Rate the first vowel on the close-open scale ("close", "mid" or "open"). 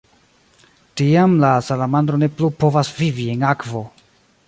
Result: close